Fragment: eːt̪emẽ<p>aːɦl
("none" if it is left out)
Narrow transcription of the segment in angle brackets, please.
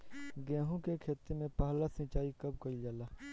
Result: p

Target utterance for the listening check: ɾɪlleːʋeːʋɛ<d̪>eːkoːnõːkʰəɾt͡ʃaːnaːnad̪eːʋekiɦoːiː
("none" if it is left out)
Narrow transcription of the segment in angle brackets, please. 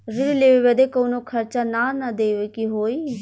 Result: d̪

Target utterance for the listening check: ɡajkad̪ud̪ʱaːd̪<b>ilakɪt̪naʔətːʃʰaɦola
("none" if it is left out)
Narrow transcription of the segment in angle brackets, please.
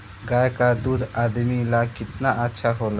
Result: m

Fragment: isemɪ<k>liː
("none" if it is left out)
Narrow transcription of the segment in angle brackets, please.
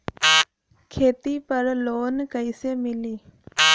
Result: none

